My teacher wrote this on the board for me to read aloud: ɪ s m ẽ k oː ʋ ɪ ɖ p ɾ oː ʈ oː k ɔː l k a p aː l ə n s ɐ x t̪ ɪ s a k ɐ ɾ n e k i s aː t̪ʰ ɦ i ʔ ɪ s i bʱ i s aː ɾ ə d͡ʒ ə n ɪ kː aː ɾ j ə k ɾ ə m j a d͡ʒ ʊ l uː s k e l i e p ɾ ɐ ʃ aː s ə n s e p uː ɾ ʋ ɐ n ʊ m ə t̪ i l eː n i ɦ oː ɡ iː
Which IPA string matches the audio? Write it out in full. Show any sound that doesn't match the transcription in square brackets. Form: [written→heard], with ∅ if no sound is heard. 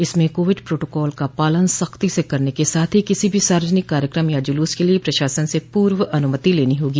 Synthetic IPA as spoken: ɪ s m ẽ k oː ʋ ɪ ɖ p ɾ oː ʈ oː k ɔː l k a p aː l ə n s ɐ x t̪ [ɪ→i] s [a→e] k ɐ ɾ n e k [i→e] s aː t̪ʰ ɦ i [ʔ→k] ɪ s i bʱ i s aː ɾ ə d͡ʒ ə n ɪ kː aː ɾ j ə k ɾ ə m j a d͡ʒ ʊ l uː s k e l i e p ɾ ɐ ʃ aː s ə n s e p uː ɾ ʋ ɐ n ʊ m ə t̪ i l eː n i ɦ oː ɡ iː